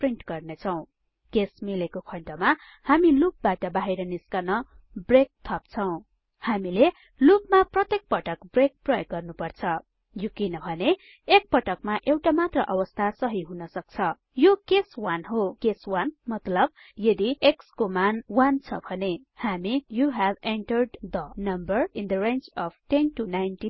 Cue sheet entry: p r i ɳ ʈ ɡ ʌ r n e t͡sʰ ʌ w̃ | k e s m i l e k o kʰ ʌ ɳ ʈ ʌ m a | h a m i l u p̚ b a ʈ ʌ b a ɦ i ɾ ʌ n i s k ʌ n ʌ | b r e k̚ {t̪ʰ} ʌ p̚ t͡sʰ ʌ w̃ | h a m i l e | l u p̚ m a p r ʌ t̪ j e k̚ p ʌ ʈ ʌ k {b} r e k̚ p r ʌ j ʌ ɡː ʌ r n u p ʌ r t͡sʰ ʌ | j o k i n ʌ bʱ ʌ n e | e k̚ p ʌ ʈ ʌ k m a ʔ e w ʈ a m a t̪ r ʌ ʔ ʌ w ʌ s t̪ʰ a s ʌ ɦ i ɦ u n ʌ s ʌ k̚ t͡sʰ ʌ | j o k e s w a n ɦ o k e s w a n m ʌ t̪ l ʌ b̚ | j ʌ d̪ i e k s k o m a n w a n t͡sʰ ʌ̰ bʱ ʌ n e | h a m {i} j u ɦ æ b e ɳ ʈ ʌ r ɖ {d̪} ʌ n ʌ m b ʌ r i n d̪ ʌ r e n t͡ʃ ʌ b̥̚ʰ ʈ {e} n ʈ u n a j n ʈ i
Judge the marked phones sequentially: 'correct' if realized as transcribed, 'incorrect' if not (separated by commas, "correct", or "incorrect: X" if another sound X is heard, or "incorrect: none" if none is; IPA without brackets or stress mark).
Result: correct, correct, correct, correct, correct